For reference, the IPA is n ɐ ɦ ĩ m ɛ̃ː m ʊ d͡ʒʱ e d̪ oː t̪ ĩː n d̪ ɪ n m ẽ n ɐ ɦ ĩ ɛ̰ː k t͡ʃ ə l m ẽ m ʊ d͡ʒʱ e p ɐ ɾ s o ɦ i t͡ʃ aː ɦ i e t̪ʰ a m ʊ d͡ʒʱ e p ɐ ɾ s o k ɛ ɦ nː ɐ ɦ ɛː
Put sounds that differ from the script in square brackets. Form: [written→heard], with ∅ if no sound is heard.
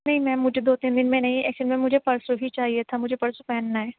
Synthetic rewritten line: n ɐ ɦ ĩ m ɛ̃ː m ʊ d͡ʒʱ e d̪ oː t̪ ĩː n d̪ ɪ n m ẽ n ɐ ɦ ĩ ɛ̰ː k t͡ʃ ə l m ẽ m ʊ d͡ʒʱ e p ɐ ɾ s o ɦ i t͡ʃ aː ɦ i e t̪ʰ a m ʊ d͡ʒʱ e p ɐ ɾ s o [k→p] ɛ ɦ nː [ɐ→a] ɦ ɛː